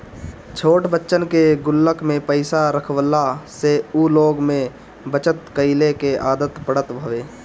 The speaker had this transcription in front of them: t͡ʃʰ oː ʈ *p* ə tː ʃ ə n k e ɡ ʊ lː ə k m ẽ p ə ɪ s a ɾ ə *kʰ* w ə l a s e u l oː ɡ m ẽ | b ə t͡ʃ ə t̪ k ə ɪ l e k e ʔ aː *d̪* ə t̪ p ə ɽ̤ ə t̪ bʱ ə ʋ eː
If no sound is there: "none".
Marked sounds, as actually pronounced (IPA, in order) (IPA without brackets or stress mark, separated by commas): b, kʰ, d̪